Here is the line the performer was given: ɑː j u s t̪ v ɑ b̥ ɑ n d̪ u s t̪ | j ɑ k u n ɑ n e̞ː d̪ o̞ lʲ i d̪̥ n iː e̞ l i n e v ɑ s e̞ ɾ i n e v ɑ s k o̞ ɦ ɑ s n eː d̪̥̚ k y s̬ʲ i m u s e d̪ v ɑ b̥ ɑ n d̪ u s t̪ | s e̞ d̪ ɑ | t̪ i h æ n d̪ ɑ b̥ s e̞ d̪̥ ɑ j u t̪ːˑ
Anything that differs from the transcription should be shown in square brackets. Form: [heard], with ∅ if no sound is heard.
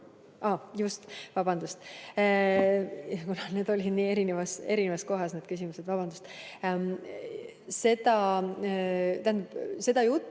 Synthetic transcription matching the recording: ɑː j u s t̪ v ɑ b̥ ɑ n d̪ u s t̪ | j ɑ k u n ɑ n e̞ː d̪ o̞ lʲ i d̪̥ n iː e̞ [ɾ] i n e v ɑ s e̞ ɾ i n e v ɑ s k o̞ ɦ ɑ s n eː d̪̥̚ k y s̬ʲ i m u s e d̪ v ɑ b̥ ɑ n d̪ u s t̪ | s e̞ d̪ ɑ | t̪ [æ] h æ n d̪ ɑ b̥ s e̞ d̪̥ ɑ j u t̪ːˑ